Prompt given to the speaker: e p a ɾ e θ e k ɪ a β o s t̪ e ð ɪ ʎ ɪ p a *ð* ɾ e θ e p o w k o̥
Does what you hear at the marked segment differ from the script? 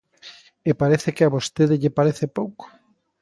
yes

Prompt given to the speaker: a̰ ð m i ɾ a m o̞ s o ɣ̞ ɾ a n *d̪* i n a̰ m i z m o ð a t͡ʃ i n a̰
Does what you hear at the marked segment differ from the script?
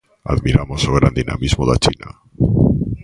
no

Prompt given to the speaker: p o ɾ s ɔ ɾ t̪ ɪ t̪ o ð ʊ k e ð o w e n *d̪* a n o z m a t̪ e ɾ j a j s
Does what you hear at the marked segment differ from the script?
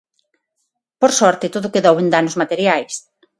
no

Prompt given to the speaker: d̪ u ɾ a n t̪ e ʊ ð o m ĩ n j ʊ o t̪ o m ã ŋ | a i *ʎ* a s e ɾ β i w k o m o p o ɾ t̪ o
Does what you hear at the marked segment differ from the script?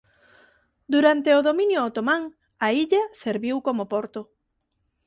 no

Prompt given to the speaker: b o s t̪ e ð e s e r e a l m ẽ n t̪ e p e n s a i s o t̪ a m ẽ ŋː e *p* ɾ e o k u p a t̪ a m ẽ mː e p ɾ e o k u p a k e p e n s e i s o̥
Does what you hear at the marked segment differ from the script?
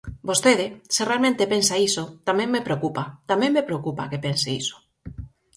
no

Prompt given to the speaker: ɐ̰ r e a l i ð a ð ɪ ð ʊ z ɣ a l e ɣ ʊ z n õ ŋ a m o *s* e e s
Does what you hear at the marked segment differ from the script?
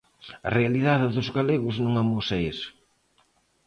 no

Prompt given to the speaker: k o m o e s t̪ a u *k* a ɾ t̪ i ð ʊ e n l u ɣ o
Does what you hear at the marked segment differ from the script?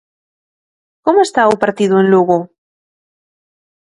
yes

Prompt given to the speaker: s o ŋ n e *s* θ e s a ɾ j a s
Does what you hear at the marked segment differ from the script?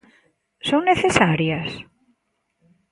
yes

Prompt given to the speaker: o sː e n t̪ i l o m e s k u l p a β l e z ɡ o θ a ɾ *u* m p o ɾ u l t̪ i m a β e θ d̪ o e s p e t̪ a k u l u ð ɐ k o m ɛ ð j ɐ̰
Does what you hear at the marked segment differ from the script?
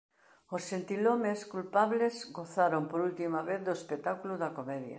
yes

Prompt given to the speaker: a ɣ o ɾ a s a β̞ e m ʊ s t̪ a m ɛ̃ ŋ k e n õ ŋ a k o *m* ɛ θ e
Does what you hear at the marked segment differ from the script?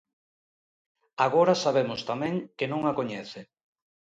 yes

